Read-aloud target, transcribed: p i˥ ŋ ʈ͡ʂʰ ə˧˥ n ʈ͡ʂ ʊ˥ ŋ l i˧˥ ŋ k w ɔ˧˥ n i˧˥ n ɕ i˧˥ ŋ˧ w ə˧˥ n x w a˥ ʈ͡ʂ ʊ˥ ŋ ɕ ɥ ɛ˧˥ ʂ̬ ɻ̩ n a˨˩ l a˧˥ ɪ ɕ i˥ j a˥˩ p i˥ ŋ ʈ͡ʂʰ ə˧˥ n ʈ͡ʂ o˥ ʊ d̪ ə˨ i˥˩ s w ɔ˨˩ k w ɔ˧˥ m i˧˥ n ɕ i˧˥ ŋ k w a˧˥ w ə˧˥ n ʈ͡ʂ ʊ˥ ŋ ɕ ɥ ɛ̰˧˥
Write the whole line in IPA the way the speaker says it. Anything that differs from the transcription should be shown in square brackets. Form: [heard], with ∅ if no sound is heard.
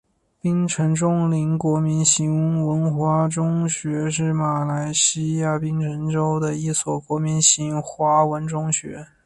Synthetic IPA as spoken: p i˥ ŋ ʈ͡ʂʰ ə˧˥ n ʈ͡ʂ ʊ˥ ŋ l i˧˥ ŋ k w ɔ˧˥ [m] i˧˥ n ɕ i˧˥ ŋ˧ w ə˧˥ n x w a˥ ʈ͡ʂ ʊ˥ ŋ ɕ ɥ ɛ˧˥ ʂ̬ ɻ̩ [m] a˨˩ l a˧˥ ɪ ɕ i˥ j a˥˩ p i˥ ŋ ʈ͡ʂʰ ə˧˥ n ʈ͡ʂ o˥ ʊ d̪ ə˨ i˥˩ s w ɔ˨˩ k w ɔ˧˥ m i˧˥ n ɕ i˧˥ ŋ [x] w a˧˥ w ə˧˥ n ʈ͡ʂ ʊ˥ ŋ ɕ ɥ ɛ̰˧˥